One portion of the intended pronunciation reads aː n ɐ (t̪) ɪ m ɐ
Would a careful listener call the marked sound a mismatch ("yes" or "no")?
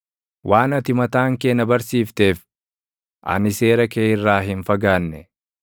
no